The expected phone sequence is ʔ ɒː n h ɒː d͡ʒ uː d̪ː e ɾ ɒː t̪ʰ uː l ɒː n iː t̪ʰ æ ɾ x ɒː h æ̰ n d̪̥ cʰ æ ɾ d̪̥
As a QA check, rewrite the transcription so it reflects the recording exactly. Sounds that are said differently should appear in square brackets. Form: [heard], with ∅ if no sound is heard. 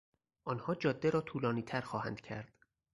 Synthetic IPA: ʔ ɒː n h ɒː d͡ʒ [ɒː] d̪ː e ɾ ɒː t̪ʰ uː l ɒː n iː t̪ʰ æ ɾ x ɒː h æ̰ n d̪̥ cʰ æ ɾ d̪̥